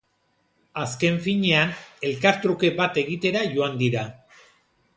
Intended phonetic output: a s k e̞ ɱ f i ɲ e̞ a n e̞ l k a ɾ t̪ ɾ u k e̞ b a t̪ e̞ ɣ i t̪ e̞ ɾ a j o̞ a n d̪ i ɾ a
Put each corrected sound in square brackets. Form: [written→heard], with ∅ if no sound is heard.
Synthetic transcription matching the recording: a s k e̞ ɱ f i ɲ e̞ a n e̞ l k a ɾ t̪ ɾ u k e̞ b a t̪ e̞ ɣ i t̪ e̞ ɾ a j o̞ a n d̪ i ɾ a

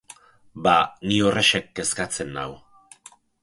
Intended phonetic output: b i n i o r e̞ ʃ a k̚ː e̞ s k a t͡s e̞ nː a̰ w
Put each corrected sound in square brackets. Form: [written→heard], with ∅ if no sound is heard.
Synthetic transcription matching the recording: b [i→a] n i o r e̞ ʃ [a→e] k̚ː e̞ s k a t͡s e̞ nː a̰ w

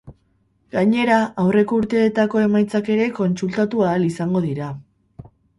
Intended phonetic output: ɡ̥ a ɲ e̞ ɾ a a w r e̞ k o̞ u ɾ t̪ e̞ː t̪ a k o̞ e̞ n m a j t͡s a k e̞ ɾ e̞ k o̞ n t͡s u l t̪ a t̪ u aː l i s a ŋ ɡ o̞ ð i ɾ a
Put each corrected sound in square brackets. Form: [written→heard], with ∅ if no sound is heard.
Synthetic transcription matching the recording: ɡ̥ a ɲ e̞ ɾ a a w r e̞ k o̞ u ɾ t̪ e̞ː t̪ a k o̞ e̞ [n→∅] m a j t͡s a k e̞ ɾ e̞ k o̞ n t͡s u l t̪ a t̪ u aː l i s a ŋ ɡ o̞ ð i ɾ a

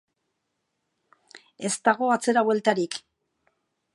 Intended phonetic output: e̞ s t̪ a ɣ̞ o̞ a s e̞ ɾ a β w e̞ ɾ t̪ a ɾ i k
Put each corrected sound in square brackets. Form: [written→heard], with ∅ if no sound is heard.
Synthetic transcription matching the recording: e̞ s t̪ a ɣ̞ o̞ a [s→t͡s] e̞ ɾ a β w e̞ [ɾ→l] t̪ a ɾ i k

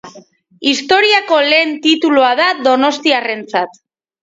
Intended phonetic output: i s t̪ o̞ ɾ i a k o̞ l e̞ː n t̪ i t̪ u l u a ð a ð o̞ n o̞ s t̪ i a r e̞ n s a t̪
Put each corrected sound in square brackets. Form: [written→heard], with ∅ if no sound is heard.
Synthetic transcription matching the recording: i s t̪ o̞ ɾ i a k o̞ l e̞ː n t̪ i t̪ u l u a ð a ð o̞ n o̞ s t̪ i a r e̞ n [s→t͡s] a t̪

